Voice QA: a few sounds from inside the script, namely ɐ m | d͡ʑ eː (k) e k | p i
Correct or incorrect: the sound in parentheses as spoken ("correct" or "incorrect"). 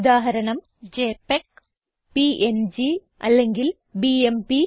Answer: incorrect